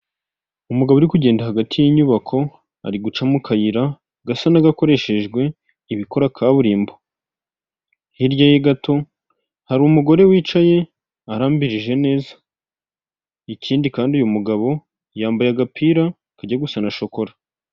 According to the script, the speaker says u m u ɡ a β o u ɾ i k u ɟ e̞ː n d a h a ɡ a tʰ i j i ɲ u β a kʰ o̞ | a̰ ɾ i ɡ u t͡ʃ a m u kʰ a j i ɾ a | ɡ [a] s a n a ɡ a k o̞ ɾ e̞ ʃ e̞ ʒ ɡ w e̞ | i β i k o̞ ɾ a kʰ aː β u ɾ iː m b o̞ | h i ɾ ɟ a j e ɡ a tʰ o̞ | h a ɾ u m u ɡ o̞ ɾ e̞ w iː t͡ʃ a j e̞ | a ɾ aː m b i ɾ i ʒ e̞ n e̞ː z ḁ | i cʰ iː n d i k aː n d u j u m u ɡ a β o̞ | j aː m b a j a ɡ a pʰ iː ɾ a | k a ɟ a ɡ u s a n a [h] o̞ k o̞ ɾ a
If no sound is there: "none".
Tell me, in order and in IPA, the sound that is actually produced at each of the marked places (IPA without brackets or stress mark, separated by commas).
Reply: a, ʃ